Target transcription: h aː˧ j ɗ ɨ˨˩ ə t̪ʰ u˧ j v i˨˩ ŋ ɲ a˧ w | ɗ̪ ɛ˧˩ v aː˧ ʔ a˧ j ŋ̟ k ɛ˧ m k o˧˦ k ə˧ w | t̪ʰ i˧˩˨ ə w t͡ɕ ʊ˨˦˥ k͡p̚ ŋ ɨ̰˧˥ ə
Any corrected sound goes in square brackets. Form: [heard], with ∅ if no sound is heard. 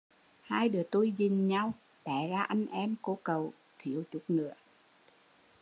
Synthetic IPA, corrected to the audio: h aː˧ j ɗ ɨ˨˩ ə [t̪] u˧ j [z] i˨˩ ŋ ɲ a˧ w | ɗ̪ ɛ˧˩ [z] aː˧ ʔ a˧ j ŋ̟ [ʔ] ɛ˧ m k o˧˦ k [ə˨˩] w | t̪ʰ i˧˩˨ ə w t͡ɕ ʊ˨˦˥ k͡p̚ [n] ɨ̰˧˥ ə